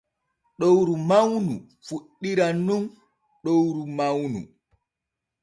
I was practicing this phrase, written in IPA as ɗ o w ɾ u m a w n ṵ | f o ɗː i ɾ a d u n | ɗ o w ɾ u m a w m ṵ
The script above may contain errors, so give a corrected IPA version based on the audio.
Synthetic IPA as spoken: ɗ o w ɾ u m a w n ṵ | f u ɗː i ɾ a n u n | ɗ o w ɾ u m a w n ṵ